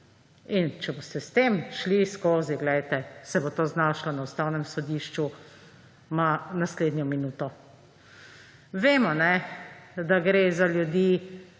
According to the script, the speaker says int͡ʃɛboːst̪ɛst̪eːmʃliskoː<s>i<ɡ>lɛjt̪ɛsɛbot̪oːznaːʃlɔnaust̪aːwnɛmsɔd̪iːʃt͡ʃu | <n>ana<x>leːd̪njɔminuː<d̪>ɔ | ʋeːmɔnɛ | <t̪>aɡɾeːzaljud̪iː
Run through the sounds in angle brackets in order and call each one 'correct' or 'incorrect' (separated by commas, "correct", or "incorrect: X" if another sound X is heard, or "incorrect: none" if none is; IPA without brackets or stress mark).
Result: incorrect: z, correct, incorrect: m, incorrect: s, incorrect: t̪, incorrect: d̪